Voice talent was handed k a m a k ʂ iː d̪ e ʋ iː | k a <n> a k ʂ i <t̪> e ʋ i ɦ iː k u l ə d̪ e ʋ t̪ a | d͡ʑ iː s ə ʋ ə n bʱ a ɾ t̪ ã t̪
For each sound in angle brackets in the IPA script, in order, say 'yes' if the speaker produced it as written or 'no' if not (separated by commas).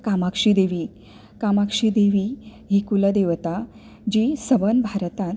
no, no